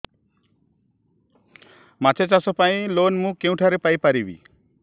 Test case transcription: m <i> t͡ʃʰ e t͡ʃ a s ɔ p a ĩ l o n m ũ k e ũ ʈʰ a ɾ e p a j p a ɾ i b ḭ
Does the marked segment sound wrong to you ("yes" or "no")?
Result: yes